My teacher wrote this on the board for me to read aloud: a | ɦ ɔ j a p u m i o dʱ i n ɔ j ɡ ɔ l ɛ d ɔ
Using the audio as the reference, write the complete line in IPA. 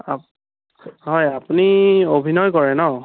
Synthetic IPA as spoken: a | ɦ ɔ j a p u n i o bʱ i n ɔ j k ɔ ɹ ɛ n ɔ